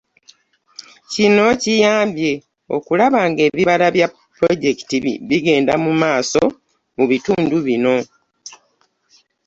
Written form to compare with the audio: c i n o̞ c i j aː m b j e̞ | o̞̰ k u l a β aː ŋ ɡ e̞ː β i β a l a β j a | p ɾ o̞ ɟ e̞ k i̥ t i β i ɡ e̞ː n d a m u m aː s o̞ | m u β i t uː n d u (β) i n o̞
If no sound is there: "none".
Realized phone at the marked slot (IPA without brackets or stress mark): β